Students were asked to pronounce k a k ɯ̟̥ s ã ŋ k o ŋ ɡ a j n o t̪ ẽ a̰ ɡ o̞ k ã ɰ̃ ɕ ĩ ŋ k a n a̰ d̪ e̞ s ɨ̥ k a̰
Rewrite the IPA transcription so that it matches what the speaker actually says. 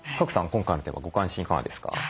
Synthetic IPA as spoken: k a k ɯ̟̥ s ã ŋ k õ ŋ k a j n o t̪ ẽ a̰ ɡ o̞ k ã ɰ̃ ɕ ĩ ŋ k a n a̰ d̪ e̞ s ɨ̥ k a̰